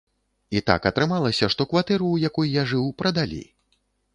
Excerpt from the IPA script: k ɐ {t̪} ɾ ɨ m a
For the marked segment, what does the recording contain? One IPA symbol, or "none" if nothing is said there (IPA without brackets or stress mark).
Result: t̪